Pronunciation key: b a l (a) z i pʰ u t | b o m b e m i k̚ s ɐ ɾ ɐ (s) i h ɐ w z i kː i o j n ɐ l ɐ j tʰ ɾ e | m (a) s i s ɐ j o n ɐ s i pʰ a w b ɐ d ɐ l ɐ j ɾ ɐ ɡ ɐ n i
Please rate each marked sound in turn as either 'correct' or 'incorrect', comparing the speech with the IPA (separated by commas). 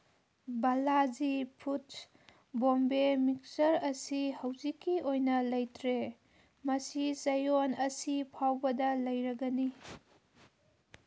correct, correct, incorrect